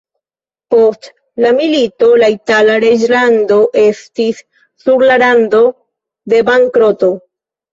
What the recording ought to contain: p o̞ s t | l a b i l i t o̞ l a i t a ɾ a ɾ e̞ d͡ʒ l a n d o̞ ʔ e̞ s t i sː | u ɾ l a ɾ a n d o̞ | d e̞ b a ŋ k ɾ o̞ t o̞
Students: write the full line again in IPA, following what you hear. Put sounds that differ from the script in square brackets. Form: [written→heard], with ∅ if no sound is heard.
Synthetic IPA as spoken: p o̞ s t | l a [b→m] i l i t o̞ l a i t a [ɾ→l] a ɾ e̞ d͡ʒ l a n d o̞ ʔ e̞ s t i sː | u ɾ l a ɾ a n d o̞ | d e̞ b a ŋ k ɾ o̞ t o̞